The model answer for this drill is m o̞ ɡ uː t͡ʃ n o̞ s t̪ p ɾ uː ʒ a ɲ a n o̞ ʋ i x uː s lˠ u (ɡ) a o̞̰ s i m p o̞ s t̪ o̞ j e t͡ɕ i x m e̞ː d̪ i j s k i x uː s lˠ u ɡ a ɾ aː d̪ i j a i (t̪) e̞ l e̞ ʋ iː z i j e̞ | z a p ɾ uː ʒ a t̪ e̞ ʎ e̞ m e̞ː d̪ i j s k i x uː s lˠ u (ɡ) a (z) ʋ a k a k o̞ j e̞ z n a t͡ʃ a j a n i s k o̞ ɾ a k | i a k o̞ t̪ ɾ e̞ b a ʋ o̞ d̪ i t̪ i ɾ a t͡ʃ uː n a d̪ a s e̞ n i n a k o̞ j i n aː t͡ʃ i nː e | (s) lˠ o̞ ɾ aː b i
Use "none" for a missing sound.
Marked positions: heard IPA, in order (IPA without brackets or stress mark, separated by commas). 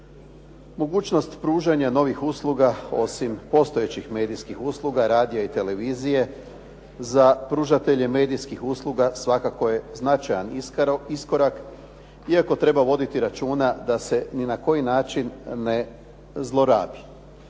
ɡ, t̪, ɡ, s, z